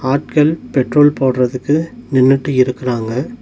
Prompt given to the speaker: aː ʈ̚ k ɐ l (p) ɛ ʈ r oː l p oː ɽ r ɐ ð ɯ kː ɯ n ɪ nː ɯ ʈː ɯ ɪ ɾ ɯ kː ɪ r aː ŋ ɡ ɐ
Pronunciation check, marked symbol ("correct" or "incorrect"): correct